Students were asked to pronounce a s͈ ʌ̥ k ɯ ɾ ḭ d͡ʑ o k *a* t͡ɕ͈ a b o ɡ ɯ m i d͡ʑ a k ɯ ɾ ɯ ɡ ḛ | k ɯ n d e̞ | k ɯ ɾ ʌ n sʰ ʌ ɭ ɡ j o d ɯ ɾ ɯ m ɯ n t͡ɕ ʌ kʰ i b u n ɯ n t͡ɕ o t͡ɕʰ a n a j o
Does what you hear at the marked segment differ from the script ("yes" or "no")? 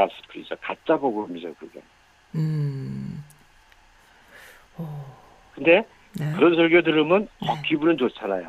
no